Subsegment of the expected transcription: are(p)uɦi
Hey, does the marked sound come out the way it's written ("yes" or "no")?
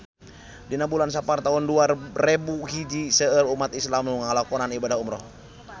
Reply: no